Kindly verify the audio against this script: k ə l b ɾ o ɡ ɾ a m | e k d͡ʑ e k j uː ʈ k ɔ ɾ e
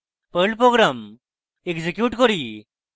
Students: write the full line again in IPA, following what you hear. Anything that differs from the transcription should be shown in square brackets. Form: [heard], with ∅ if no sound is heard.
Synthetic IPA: [p] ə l [p] ɾ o ɡ ɾ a m | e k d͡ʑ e k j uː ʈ k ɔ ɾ [i]